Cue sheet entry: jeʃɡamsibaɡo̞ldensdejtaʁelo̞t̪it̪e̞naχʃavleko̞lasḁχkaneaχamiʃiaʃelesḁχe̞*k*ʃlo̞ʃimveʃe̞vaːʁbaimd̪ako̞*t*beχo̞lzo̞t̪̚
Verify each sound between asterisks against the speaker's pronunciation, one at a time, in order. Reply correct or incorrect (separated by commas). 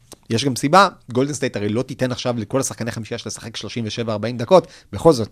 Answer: correct, correct